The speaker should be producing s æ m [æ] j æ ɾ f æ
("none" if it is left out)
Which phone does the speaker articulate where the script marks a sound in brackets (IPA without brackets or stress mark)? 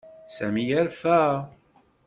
i